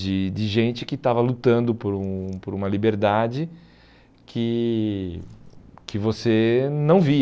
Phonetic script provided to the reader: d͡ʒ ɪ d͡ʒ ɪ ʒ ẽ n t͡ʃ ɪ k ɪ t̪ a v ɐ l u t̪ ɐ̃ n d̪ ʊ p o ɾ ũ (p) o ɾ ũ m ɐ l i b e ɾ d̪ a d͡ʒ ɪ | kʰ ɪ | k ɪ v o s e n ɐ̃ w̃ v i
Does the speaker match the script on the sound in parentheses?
yes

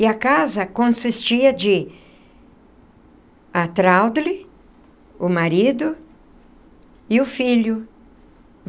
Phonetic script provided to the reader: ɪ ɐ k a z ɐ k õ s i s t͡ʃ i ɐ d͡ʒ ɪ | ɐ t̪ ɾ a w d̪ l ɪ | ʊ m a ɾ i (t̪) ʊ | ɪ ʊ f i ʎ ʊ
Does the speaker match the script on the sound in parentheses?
no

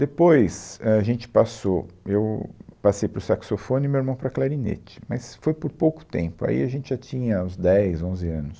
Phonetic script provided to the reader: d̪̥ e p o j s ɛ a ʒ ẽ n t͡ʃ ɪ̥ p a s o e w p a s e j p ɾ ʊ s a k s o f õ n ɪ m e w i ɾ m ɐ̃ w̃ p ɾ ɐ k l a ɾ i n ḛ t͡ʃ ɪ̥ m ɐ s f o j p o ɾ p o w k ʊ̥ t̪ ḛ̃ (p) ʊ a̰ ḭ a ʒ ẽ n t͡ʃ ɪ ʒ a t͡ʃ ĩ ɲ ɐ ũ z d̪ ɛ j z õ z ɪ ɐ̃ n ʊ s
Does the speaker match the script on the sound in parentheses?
yes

